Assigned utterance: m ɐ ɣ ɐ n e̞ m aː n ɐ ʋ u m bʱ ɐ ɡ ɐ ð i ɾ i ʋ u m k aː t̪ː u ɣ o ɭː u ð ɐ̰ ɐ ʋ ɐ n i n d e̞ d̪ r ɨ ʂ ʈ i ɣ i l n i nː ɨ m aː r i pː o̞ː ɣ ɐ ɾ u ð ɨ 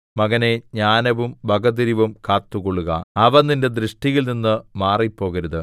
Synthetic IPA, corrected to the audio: m ɐ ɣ ɐ n e̞ ɲ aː n ɐ ʋ u m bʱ ɐ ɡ ɐ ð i ɾ i ʋ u m k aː t̪ː u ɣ o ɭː u ɣ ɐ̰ ɐ ʋ ɐ n i n d e̞ d̪ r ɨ ʂ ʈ i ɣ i l n i nː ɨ m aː r i pː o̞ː ɣ ɐ ɾ u ð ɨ